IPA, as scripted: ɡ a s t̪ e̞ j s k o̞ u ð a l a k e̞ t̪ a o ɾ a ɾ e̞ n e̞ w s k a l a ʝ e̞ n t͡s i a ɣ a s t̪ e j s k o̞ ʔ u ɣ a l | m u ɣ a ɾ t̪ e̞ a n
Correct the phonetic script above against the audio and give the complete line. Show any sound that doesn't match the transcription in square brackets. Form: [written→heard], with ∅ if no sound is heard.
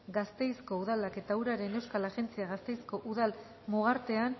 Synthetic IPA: ɡ a s t̪ e̞ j s k o̞ u ð a l a k e̞ t̪ a [o→u] ɾ a ɾ e̞ n e̞ w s k a l a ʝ e̞ n t͡s i a ɣ a s t̪ e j s k o̞ ʔ u [ɣ→ð] a l | m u ɣ a ɾ t̪ e̞ a n

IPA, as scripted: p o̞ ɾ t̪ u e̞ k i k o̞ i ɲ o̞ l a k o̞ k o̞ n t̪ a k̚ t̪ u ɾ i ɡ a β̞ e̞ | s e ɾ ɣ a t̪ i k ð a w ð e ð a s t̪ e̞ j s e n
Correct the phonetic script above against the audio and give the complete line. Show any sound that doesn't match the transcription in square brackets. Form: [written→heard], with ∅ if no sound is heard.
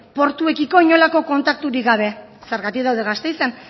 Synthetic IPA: p o̞ ɾ t̪ u e̞ k i k o̞ i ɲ o̞ l a k o̞ k o̞ n t̪ a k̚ t̪ u ɾ i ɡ a β̞ e̞ | s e ɾ ɣ a t̪ i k ð a w ð e [ð→ɣ] a s t̪ e̞ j s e n

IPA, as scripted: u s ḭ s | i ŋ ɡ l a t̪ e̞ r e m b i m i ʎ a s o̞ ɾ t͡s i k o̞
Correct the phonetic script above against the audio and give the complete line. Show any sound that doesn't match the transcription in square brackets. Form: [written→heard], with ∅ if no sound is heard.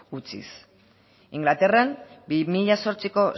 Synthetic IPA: u [s→t͡s] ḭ s | i ŋ ɡ l a t̪ e̞ r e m b i m i ʎ a s o̞ ɾ t͡s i k o̞

